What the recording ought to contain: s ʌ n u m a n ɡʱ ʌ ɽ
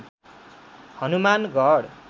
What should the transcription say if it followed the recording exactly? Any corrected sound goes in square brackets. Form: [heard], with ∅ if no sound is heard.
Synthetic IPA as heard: [h] ʌ n u m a n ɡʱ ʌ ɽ